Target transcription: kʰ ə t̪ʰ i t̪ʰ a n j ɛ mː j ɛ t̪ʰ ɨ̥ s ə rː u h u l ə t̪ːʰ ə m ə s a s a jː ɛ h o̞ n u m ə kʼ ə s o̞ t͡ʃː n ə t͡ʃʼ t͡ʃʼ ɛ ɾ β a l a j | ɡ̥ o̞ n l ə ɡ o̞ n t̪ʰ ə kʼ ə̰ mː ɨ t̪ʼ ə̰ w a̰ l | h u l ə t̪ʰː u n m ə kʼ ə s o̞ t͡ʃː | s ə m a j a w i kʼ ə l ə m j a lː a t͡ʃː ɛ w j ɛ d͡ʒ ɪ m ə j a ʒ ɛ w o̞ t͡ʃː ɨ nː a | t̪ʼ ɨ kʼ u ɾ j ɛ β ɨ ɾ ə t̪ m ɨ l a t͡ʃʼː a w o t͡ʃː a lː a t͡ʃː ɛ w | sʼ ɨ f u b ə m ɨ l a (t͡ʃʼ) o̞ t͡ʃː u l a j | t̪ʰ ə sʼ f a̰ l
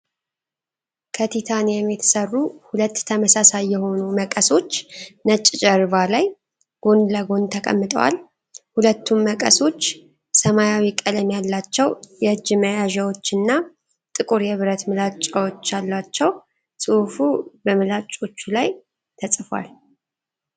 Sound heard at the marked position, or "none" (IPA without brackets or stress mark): t͡ʃʼ